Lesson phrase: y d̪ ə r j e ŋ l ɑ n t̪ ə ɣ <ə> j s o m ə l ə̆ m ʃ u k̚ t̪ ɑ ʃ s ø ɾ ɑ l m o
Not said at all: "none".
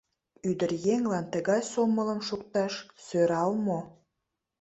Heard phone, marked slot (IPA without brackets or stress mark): ɑ